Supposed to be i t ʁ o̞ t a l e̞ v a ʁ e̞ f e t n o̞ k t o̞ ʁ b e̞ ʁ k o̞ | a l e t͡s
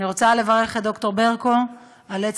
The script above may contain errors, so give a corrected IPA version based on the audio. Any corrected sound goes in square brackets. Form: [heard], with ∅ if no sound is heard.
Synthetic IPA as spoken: i [∅] ʁ o̞ [t͡s] a l e̞ v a ʁ e̞ [χ] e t [d] o̞ k t o̞ ʁ b e̞ ʁ k o̞ | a l e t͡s